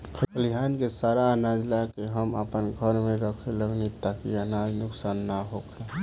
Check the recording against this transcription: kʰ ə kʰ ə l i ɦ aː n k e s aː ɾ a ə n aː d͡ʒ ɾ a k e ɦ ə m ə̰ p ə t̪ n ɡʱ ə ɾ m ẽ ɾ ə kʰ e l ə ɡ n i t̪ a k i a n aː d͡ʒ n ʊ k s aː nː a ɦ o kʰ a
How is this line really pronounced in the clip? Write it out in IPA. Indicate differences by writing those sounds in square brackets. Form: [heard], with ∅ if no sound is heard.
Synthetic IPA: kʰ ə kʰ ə l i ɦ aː n k e s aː ɾ a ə n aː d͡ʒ [l] a k e ɦ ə m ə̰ p ə [∅] n ɡʱ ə ɾ m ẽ ɾ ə kʰ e l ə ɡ n i t̪ a k i a n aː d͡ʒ n ʊ k s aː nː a ɦ o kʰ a